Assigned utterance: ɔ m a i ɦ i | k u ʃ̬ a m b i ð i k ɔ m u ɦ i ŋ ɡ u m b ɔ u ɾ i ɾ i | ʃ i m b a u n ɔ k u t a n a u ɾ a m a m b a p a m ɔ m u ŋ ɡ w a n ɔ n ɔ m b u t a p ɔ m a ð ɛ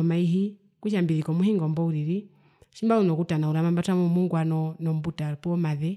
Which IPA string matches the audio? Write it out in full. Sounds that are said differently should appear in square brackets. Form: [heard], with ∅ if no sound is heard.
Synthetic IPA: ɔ m a i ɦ i | k u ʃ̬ a m b i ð i k ɔ m u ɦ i ŋ ɡ [ɔ] m b ɔ u ɾ i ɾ i | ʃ i m b a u n ɔ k u t a n a u ɾ a m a m b a [t] a m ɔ m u ŋ ɡ w a n ɔ n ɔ m b u t a p ɔ m a ð ɛ